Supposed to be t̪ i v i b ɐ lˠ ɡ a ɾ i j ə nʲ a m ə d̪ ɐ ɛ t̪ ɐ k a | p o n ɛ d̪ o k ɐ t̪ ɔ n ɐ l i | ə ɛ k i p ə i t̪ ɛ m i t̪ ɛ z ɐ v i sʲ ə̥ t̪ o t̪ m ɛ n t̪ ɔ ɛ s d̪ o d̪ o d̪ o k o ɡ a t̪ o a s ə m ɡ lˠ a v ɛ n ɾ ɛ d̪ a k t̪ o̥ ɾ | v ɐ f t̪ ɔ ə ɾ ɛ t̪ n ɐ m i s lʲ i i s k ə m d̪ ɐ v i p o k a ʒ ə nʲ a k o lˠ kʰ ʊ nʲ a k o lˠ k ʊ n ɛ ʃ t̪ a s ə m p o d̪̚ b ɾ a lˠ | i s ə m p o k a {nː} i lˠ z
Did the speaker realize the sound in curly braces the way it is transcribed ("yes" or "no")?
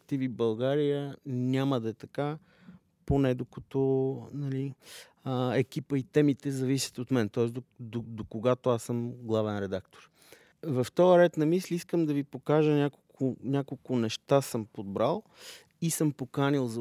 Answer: no